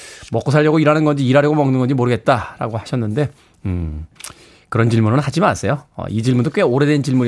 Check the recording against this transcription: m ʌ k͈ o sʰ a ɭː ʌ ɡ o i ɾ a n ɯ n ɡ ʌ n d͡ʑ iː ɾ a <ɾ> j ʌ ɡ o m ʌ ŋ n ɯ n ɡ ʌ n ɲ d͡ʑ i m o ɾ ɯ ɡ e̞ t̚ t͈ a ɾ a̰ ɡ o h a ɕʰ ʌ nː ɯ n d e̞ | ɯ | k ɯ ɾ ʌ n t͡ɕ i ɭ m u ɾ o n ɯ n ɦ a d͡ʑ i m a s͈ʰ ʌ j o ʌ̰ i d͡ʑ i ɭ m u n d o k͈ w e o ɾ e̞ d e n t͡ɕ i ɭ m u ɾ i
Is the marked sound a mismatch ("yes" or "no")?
no